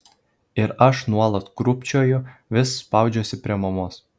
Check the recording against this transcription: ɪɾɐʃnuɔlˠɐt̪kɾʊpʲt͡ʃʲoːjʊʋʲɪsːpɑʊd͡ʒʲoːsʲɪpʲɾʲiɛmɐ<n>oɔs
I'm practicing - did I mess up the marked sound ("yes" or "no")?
yes